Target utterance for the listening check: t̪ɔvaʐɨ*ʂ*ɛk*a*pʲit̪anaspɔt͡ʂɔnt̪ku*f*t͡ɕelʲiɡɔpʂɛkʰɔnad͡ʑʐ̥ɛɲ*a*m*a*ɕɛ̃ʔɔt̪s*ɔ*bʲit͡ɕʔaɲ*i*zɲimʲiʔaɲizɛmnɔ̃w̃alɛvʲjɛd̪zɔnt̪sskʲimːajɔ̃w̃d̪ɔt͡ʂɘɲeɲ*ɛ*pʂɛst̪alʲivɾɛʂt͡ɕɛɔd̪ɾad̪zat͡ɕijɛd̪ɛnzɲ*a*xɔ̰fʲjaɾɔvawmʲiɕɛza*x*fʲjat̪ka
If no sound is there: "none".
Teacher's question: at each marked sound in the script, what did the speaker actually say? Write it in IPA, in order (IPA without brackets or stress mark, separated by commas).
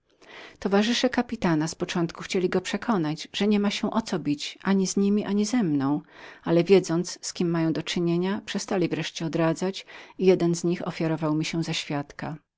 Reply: ʂ, a, x, ɛ, a, ɔ, i, a, i, ɕ